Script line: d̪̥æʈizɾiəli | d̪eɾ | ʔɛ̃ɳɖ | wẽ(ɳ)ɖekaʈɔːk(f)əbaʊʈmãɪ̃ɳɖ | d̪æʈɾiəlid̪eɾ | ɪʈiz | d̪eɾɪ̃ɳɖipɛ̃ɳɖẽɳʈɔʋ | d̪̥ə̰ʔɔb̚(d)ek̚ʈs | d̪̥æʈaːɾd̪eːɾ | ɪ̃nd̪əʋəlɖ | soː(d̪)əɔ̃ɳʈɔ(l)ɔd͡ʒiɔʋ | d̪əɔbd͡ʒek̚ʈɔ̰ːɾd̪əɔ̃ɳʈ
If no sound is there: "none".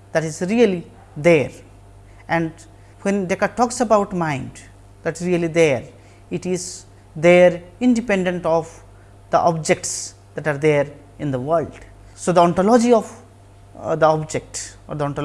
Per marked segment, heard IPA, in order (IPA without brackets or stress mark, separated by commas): n, s, d͡ʒ, d̪, l